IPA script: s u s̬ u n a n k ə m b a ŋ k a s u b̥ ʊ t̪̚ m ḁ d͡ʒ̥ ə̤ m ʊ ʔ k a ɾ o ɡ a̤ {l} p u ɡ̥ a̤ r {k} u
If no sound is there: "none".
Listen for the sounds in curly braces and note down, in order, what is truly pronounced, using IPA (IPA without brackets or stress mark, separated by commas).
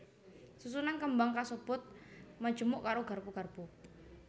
r, p